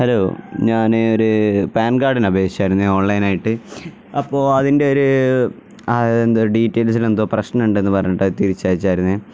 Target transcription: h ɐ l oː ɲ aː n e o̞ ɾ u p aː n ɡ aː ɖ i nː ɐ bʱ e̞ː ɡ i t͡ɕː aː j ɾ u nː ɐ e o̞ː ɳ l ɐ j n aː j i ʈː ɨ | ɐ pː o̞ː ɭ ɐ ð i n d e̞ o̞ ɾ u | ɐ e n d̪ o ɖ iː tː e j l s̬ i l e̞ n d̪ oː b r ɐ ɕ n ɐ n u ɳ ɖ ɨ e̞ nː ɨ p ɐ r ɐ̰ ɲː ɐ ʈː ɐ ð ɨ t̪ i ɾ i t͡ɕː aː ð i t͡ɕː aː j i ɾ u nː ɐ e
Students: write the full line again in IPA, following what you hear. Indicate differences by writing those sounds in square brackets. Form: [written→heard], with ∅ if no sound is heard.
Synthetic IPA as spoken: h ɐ l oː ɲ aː n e o̞ ɾ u p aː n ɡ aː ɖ i [nː→n] ɐ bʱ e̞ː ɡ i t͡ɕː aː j ɾ u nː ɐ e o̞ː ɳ l ɐ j n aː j i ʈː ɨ | ɐ pː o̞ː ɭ ɐ ð i n d e̞ o̞ ɾ u | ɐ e n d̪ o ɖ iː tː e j l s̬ i l e̞ n d̪ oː [b→p] r ɐ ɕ n ɐ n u ɳ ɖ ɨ e̞ nː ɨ p ɐ r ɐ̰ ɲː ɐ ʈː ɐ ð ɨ t̪ i ɾ i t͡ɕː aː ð i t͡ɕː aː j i ɾ u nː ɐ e